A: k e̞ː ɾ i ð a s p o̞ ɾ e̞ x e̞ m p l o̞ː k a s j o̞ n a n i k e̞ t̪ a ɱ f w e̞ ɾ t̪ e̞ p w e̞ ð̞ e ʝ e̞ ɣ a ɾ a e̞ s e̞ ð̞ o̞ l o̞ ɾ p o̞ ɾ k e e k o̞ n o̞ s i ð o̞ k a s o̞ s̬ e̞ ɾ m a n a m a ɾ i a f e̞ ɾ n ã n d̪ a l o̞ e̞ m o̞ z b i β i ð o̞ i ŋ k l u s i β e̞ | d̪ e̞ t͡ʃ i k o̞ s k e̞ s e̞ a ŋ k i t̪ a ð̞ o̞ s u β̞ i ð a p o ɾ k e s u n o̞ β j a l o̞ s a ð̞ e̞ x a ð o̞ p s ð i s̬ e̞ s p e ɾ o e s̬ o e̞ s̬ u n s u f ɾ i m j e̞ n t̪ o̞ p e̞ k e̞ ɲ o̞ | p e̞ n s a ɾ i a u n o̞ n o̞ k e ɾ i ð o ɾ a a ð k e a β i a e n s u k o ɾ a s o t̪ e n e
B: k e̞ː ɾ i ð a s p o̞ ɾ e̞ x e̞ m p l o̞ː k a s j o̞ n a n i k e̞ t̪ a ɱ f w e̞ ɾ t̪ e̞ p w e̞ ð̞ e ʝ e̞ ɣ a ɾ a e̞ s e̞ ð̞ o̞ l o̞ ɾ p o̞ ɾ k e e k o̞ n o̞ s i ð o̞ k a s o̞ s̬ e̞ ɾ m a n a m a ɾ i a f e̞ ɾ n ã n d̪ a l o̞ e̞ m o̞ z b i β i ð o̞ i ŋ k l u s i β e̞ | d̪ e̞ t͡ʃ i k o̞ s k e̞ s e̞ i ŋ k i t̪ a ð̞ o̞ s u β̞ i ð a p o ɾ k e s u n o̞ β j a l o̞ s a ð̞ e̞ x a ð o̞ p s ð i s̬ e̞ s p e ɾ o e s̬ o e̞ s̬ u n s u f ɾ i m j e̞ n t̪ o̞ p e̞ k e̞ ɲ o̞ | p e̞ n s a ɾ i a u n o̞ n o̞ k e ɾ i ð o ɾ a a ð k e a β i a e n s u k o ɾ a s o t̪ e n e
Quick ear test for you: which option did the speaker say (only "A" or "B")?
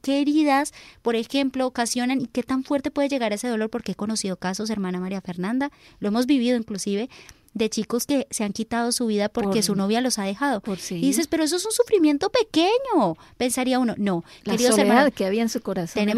A